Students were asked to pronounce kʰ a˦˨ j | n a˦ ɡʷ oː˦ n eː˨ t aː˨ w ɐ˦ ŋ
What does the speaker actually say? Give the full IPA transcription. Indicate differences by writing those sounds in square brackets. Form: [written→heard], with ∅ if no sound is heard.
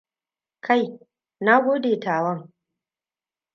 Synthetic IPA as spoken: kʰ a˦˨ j | n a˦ ɡʷ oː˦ [n→d] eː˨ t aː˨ w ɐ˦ ŋ